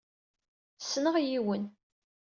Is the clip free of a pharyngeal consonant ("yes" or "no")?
yes